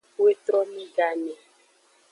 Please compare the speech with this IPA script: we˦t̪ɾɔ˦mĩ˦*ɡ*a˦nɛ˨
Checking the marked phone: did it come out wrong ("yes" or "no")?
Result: no